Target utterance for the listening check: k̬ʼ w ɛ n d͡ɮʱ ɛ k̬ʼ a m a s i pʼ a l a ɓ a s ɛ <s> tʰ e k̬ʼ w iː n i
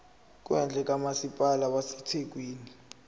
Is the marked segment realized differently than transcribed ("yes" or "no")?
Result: yes